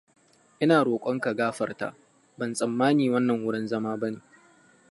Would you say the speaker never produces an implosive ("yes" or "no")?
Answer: yes